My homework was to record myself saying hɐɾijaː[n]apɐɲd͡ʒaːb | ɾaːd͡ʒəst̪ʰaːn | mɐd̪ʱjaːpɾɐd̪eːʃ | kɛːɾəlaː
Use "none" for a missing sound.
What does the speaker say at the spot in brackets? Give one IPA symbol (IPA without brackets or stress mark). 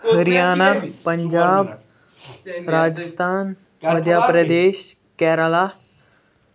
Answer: n